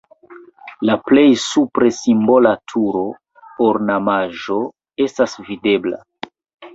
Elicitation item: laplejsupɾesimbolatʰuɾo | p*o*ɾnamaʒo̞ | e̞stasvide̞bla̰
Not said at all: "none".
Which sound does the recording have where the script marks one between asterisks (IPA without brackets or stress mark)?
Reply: o